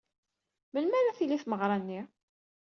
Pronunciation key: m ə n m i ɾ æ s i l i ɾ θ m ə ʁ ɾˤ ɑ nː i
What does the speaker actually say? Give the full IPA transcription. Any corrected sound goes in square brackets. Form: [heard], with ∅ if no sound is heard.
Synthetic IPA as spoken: m ə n m [æ] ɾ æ [θ] i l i [∅] θ m ə ʁ ɾˤ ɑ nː i